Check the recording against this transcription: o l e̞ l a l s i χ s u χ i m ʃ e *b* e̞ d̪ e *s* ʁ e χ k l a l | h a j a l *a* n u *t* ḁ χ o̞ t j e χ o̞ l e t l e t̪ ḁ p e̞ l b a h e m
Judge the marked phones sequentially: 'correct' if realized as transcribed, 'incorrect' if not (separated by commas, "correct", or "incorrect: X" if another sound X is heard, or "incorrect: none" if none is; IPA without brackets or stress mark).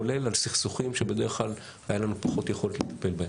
correct, incorrect: none, correct, incorrect: p